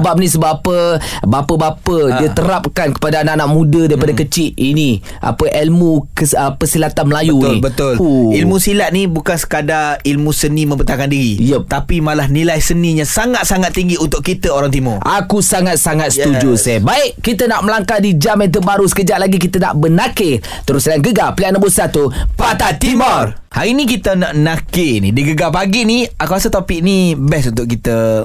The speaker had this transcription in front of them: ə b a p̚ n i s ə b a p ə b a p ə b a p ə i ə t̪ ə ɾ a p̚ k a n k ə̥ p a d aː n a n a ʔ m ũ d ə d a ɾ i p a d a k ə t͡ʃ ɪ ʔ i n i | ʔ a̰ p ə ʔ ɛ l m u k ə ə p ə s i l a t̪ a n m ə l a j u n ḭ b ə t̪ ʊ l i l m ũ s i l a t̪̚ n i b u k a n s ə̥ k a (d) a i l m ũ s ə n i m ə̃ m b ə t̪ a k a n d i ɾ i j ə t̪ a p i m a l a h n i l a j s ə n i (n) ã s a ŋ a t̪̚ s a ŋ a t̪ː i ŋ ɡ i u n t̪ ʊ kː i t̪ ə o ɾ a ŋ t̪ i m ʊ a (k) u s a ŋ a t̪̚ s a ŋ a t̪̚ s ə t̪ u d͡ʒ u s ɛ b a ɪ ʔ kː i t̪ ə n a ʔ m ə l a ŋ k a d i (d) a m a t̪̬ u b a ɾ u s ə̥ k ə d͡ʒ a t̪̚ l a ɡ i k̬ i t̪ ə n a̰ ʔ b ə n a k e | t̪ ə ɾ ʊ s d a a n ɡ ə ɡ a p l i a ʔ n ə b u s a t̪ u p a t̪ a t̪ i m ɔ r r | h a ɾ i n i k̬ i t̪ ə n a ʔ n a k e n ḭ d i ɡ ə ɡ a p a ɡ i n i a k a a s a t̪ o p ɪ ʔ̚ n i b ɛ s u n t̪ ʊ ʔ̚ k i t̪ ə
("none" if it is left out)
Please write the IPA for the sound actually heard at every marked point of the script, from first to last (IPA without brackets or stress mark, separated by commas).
d, ɲ, k, d͡ʒ